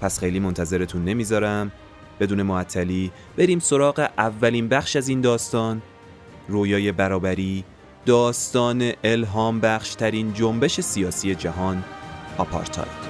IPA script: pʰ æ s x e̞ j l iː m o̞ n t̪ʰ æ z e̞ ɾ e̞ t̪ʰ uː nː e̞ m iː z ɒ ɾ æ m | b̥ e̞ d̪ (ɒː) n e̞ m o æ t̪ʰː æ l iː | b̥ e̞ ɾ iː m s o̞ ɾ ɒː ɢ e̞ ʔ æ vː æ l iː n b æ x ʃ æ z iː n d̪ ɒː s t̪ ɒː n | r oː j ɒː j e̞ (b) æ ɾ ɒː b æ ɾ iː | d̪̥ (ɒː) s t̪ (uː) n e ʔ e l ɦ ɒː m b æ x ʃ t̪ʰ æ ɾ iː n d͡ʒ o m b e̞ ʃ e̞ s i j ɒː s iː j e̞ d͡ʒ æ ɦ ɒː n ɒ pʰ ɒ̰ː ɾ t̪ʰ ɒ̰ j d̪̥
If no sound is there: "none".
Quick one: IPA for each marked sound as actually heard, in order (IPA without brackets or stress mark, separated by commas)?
uː, b, ɒː, ɒː